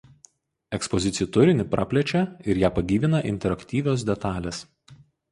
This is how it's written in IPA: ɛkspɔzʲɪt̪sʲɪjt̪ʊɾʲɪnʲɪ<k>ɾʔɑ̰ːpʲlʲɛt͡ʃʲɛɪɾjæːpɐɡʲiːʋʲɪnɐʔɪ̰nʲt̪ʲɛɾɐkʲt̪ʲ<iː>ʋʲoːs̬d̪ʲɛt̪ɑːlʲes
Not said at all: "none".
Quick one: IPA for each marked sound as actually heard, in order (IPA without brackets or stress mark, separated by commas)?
p, iː